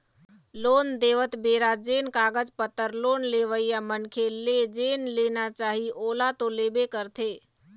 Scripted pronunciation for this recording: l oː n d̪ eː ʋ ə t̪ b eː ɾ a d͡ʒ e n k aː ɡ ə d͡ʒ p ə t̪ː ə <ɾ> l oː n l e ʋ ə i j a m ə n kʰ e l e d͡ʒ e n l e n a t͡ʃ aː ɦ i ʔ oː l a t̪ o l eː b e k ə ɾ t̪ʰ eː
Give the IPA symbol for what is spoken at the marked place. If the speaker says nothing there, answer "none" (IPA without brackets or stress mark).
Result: ɾ